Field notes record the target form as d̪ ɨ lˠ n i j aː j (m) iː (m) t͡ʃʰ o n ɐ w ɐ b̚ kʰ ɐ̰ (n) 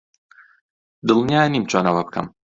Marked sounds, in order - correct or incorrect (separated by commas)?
incorrect, correct, incorrect